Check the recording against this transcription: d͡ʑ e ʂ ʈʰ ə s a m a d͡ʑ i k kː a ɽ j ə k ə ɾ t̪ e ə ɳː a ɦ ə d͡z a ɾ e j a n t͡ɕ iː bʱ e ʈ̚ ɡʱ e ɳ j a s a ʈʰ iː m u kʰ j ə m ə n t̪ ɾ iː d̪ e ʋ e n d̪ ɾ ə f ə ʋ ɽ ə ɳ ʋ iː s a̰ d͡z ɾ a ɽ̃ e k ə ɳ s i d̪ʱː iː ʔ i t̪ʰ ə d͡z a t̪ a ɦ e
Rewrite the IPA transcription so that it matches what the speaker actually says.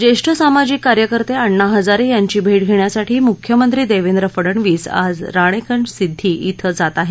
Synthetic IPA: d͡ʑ e ʂ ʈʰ ə s a m a d͡ʑ i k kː a ɾ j ə k ə ɾ t̪ e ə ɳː a ɦ ə d͡z a ɾ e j a ɲ t͡ɕ iː bʱ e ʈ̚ ɡʱ e ɳ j a s a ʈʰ iː m u kʰ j ə m ə n t̪ ɾ iː d̪ e ʋ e n d̪ ɾ ə f ə ɽ ə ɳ ʋ iː s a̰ d͡z ɾ a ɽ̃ e k ə ɳ s i d̪ʱː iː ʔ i t̪ʰ ə d͡z a t̪ a ɦ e